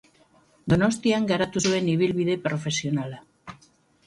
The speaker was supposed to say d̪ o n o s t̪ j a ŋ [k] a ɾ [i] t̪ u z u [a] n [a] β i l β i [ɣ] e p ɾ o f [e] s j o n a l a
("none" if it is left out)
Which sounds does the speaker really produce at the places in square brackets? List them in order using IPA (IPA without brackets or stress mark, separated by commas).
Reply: ɡ, a, e, i, ð, e